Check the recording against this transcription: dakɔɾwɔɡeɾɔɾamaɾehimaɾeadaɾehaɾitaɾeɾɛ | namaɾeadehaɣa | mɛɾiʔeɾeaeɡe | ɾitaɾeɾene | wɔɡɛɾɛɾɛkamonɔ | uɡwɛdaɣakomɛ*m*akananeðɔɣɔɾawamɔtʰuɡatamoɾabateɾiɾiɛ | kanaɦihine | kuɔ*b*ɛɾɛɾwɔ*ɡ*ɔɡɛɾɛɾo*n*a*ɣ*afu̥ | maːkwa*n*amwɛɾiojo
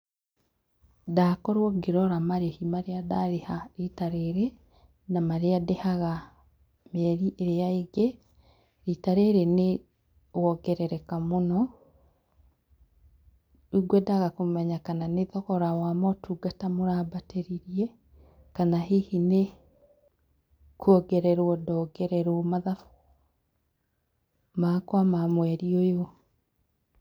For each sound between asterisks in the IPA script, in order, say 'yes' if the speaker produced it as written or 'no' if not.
no, no, no, no, no, no

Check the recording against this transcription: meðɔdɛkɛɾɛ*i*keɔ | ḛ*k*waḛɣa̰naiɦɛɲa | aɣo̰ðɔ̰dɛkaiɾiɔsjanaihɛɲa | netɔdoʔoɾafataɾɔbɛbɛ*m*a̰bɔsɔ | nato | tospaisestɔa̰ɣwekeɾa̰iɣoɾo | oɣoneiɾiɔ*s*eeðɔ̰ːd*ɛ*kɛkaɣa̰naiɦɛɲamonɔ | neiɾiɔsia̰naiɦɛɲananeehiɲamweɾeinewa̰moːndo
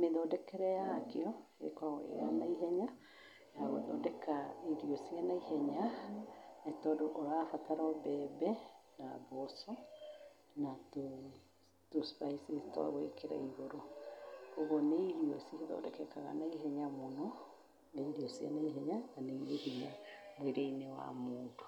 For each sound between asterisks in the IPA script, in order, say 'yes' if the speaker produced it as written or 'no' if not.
no, yes, no, yes, yes

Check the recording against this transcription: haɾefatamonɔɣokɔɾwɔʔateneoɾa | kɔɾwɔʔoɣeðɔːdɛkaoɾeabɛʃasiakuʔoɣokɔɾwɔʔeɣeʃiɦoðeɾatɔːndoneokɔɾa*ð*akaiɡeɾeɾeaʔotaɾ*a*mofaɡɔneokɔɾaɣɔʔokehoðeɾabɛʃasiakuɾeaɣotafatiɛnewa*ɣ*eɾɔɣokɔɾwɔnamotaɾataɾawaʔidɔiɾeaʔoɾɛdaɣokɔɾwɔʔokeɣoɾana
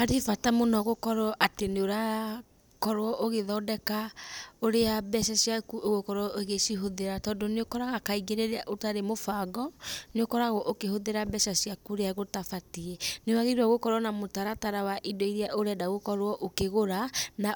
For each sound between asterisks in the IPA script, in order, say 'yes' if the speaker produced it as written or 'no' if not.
no, no, yes

